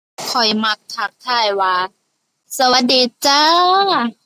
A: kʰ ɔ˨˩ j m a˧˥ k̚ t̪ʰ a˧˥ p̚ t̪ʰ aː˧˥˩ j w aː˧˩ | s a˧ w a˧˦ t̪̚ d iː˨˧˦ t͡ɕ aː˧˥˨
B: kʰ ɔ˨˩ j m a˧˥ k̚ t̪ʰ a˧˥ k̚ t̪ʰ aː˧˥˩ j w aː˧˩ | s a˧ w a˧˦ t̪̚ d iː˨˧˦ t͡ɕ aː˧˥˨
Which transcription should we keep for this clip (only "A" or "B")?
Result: B